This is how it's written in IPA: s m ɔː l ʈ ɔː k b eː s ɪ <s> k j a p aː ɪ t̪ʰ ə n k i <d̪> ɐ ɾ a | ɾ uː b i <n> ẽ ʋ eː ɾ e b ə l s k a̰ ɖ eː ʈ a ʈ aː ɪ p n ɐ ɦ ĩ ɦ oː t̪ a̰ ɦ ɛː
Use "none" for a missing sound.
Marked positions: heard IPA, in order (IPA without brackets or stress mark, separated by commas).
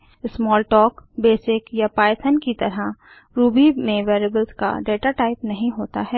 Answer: none, t̪, m